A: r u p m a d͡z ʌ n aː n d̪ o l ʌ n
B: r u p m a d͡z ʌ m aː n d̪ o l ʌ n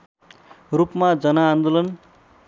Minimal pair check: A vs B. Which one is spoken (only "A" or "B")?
A